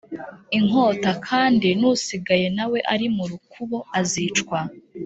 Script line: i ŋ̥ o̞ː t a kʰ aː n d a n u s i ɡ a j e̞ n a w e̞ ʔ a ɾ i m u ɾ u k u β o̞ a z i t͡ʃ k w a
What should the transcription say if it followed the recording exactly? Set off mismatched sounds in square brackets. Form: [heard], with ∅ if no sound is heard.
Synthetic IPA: i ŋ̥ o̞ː t a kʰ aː n d [i] n u s i ɡ a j e̞ n a w e̞ ʔ a ɾ i m u ɾ u k u β o̞ a z i t͡ʃ k w a